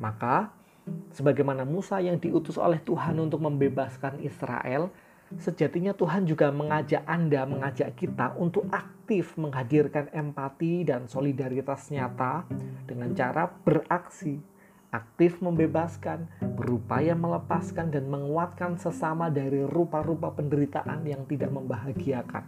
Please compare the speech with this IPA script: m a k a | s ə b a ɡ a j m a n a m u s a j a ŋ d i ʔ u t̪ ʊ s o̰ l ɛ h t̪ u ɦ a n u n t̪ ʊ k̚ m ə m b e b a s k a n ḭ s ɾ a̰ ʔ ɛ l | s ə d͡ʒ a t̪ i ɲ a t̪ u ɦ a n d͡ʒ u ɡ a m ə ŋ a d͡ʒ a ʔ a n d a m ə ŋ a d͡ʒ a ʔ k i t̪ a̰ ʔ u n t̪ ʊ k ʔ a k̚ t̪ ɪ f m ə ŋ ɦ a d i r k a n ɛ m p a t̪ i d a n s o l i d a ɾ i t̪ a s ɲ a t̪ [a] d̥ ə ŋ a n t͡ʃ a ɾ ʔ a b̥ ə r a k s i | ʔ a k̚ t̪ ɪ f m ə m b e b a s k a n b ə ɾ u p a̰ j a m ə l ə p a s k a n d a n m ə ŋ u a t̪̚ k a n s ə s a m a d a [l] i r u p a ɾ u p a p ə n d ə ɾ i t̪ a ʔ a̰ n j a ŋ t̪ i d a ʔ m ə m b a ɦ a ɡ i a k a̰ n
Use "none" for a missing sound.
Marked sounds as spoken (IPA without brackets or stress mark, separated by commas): a, ɾ